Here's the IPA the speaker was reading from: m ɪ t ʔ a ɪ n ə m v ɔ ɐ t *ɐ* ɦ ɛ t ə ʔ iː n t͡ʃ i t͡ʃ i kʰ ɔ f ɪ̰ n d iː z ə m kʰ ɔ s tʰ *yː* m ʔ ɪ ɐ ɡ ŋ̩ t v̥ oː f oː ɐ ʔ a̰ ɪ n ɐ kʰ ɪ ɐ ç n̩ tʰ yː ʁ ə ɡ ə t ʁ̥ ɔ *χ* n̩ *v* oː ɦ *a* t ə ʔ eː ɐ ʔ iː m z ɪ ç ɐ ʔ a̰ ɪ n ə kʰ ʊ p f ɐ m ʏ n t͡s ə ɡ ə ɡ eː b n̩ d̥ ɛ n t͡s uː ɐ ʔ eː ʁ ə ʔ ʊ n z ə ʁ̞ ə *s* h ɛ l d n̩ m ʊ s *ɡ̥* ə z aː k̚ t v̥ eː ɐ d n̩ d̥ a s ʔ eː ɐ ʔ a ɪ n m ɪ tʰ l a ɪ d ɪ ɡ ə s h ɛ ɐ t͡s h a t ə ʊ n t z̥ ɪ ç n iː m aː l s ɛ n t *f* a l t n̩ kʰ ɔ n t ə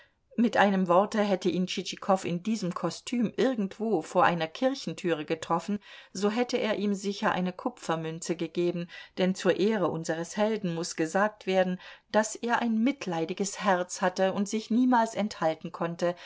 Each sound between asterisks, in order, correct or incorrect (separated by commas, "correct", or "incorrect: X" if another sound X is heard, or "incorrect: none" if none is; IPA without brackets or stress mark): incorrect: ə, correct, incorrect: f, incorrect: z, incorrect: ɛ, correct, correct, incorrect: h